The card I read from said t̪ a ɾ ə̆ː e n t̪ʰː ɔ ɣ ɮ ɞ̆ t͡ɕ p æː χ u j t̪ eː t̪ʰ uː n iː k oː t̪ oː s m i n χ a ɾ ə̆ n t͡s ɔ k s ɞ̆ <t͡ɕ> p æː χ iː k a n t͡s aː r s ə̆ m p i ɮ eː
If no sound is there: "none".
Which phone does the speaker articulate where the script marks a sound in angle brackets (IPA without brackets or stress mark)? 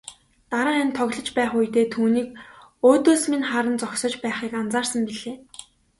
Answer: t͡ɕ